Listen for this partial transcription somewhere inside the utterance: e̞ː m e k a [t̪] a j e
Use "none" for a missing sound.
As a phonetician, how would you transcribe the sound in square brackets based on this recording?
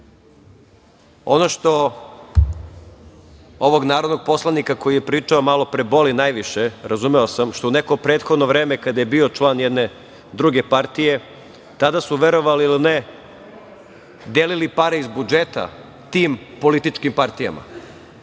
d̪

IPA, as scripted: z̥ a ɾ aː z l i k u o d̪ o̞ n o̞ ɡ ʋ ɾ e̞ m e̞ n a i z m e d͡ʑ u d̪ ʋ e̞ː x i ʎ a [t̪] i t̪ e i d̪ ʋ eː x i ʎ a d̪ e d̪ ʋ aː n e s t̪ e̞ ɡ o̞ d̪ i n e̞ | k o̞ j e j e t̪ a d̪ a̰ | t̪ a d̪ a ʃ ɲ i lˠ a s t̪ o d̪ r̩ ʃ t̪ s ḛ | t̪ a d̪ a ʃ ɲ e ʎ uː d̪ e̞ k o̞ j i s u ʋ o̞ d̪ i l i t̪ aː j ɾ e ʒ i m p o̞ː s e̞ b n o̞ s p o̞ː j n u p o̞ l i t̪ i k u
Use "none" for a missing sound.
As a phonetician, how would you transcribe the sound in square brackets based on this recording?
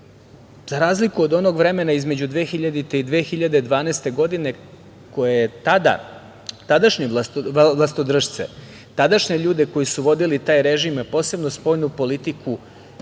d̪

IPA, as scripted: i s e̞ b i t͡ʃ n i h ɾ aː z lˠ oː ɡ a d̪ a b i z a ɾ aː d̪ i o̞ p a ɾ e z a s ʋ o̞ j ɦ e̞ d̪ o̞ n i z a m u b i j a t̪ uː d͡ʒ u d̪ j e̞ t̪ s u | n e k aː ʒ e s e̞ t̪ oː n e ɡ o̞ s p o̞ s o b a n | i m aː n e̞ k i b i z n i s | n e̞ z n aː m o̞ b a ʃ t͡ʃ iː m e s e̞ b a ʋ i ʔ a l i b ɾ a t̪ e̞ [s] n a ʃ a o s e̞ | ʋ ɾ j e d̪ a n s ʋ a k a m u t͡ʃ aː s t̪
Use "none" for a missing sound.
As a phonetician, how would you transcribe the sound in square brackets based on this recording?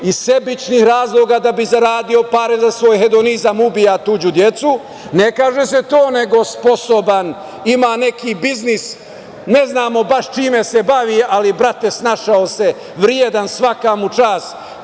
s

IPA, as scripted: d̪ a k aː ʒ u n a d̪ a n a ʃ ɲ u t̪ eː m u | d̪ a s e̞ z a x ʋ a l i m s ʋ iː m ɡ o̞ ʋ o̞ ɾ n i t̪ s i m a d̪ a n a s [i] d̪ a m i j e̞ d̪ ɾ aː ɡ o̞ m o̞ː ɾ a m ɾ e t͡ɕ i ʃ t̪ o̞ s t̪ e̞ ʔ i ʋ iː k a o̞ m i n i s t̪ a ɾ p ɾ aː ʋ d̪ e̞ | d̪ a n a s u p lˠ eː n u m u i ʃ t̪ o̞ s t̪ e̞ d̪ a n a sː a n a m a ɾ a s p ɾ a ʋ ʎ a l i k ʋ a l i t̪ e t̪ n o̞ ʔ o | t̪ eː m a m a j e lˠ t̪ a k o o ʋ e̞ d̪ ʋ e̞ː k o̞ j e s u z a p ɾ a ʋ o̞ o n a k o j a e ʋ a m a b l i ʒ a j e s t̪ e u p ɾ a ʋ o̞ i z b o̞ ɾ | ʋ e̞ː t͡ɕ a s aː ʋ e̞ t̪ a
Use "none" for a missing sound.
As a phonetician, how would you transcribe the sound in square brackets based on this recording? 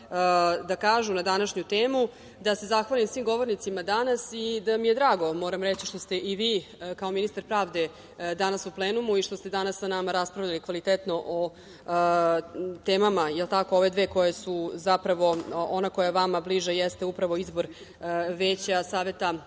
i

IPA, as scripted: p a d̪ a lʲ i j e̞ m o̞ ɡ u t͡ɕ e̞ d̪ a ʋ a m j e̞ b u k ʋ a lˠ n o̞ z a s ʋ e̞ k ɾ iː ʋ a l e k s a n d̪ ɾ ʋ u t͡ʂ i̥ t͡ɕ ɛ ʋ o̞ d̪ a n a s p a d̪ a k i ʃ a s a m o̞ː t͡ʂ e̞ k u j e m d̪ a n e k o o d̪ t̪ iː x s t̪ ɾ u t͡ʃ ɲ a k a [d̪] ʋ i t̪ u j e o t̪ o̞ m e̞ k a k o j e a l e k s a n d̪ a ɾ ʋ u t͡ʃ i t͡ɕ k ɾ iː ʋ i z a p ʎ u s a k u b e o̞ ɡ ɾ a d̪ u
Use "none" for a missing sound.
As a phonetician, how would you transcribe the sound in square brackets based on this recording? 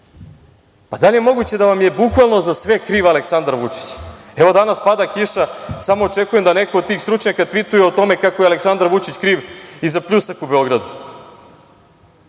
t̪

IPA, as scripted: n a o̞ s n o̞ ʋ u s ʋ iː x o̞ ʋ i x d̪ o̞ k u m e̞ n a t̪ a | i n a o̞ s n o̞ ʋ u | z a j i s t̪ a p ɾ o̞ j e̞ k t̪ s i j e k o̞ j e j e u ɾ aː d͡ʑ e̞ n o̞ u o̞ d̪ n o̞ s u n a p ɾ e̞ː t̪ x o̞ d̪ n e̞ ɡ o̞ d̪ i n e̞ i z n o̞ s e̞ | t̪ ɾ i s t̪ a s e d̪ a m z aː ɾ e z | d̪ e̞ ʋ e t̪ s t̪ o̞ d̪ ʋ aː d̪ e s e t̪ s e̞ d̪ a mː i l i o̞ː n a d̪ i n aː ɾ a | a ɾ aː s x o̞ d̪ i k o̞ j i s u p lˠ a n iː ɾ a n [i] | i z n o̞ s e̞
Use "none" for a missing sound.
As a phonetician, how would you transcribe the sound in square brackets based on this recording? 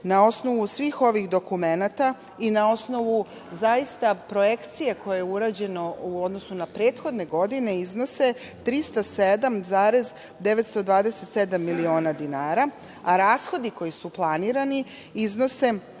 i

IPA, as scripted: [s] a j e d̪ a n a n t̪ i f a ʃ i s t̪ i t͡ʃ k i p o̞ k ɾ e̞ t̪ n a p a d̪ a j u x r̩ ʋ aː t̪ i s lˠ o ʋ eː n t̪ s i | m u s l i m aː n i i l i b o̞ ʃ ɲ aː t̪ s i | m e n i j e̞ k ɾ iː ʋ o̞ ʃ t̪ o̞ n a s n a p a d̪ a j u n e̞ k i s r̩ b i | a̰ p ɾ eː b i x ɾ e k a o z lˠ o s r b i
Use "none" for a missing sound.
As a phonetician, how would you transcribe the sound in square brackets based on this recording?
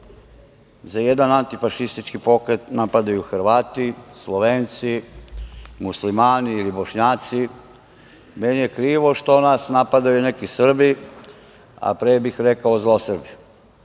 z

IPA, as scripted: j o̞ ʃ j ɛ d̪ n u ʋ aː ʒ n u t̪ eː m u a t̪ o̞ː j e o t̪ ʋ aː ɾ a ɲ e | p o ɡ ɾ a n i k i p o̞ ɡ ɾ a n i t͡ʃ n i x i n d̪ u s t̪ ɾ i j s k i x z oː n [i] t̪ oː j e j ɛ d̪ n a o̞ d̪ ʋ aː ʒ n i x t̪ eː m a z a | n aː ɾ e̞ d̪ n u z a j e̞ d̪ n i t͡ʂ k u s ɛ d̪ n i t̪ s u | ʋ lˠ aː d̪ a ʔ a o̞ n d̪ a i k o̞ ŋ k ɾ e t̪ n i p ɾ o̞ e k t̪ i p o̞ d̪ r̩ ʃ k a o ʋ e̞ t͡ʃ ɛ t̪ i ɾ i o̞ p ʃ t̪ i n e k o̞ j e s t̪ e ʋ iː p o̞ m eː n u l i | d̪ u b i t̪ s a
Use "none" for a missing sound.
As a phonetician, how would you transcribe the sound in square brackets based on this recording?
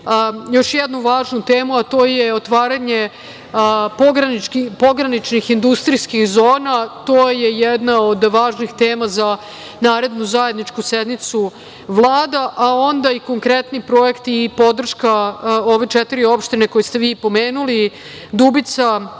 a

